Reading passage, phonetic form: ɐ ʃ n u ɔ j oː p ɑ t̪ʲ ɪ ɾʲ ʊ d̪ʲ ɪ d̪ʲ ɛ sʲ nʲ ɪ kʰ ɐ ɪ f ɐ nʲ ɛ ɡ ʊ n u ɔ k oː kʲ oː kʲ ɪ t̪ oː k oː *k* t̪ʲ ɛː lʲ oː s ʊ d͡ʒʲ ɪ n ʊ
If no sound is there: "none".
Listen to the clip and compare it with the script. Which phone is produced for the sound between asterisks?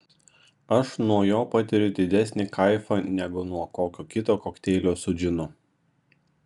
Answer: k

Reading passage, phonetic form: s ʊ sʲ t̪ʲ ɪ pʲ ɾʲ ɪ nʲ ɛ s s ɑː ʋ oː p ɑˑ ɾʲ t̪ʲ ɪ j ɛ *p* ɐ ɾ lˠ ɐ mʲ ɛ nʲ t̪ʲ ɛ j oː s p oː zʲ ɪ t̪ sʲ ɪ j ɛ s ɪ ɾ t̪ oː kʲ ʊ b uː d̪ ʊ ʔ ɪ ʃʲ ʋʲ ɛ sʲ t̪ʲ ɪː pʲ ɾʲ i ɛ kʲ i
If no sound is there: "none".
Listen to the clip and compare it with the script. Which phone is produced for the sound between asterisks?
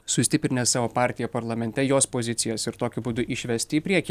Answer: p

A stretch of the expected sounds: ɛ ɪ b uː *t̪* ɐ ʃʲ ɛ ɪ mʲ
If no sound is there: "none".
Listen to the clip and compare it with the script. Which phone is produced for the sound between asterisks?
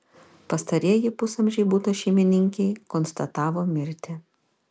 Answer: t̪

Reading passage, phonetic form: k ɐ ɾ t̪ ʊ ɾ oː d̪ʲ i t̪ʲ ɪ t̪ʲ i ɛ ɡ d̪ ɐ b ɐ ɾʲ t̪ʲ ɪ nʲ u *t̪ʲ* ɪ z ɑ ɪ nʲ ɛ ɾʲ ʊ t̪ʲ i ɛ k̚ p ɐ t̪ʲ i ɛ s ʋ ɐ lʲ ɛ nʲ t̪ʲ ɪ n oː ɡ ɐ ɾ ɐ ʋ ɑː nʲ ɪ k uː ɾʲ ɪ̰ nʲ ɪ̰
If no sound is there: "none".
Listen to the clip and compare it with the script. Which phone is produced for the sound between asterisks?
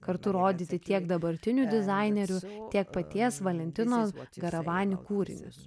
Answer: d̪ʲ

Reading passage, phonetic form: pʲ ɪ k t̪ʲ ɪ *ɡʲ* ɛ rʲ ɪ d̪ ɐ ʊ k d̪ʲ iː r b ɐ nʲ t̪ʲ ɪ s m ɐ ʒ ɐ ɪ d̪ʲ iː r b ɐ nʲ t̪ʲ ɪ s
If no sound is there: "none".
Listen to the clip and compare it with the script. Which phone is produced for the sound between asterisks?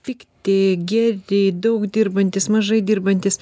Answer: ɡʲ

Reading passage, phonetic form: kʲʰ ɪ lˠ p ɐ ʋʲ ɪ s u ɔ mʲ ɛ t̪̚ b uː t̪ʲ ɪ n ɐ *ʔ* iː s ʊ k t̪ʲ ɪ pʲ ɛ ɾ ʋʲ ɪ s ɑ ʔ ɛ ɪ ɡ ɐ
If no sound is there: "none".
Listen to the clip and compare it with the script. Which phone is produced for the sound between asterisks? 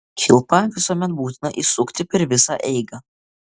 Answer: ʔ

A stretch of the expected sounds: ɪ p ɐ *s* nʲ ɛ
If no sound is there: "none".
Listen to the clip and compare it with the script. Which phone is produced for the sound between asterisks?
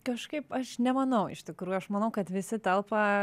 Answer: ʃ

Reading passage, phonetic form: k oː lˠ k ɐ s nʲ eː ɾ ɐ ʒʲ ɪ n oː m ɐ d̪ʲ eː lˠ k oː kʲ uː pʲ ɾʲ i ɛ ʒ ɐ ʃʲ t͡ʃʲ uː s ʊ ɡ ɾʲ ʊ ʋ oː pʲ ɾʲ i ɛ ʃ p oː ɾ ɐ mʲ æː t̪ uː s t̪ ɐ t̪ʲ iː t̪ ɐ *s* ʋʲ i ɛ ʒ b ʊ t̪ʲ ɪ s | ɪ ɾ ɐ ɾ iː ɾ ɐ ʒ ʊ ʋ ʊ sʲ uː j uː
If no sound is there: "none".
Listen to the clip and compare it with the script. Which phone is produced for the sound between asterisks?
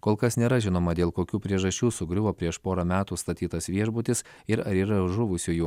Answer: s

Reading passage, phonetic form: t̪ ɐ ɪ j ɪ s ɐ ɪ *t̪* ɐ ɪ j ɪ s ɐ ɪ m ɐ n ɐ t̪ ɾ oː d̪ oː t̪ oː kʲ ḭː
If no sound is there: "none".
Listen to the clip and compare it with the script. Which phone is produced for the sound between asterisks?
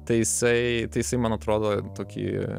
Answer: t̪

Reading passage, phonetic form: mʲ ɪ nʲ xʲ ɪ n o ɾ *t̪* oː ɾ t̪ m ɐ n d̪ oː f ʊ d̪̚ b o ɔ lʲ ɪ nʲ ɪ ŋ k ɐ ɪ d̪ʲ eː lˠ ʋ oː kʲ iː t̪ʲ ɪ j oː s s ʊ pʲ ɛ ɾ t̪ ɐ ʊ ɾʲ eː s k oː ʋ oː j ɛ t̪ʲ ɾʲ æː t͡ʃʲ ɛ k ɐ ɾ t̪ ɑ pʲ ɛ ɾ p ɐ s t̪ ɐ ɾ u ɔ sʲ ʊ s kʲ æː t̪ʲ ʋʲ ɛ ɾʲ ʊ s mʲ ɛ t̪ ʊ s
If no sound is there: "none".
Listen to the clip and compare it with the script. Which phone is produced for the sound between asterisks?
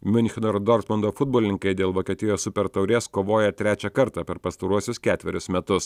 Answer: d̪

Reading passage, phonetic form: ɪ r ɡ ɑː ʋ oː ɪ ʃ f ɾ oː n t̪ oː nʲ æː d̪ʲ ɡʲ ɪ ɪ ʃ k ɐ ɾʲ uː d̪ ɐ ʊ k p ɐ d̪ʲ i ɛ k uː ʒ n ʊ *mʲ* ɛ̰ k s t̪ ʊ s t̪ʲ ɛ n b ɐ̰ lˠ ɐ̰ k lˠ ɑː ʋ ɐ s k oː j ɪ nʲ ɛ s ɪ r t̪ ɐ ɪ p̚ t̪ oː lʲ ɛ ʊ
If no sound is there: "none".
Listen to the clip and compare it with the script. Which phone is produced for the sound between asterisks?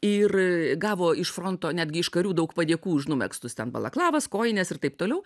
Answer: mʲ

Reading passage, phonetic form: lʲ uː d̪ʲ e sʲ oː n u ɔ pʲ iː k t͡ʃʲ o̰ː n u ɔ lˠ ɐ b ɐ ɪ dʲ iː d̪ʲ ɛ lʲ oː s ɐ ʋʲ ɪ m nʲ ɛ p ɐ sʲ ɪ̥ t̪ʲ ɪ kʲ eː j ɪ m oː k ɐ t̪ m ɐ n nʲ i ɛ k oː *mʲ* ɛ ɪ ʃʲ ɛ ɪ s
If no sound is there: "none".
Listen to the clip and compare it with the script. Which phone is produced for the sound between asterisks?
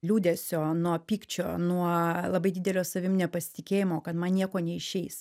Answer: nʲ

